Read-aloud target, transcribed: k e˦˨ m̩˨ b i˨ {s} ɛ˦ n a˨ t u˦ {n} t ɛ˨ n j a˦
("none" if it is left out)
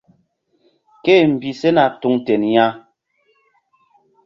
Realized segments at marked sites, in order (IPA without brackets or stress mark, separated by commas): s, ŋ